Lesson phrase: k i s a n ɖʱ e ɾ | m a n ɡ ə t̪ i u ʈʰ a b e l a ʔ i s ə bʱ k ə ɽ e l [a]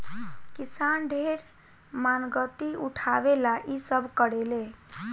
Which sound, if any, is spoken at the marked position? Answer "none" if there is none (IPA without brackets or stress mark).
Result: e